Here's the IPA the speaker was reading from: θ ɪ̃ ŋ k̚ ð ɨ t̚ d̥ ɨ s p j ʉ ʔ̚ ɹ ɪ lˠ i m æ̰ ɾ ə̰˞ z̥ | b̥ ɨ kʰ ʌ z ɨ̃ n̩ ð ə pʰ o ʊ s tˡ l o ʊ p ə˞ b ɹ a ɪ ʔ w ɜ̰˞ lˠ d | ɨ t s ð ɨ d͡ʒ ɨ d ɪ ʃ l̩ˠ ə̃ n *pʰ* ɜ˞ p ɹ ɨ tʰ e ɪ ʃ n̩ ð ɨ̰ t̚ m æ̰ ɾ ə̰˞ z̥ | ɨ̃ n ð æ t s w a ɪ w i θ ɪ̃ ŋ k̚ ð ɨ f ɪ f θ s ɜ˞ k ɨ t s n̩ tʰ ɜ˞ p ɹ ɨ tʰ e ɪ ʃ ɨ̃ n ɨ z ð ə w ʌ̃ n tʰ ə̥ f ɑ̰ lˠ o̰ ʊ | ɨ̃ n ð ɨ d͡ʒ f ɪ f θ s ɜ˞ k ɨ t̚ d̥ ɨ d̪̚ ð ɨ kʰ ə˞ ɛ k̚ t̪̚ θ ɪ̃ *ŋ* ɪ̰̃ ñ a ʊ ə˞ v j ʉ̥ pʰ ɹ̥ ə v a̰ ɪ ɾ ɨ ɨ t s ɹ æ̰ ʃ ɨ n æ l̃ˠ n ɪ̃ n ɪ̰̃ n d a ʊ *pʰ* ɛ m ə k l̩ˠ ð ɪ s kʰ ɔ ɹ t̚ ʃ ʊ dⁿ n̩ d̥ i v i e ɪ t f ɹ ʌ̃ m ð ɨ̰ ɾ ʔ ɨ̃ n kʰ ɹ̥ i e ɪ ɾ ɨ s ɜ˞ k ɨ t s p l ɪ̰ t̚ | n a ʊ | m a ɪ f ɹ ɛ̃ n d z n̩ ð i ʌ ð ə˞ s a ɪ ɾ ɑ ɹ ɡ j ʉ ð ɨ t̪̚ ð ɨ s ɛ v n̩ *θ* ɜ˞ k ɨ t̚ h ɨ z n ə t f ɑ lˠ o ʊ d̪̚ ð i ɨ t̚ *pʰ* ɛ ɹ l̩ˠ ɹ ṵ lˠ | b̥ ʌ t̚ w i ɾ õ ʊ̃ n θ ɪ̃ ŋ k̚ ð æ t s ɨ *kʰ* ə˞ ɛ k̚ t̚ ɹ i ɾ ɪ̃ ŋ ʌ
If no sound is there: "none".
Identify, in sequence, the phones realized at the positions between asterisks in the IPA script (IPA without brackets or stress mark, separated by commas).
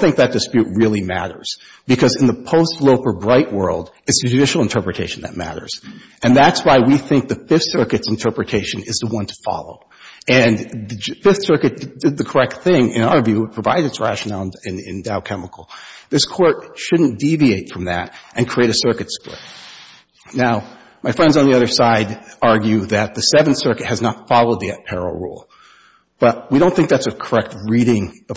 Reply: tʰ, ŋ, kʰ, s, pʰ, kʰ